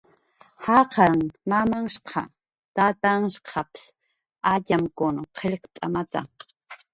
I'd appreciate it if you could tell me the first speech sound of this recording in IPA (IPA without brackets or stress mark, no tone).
h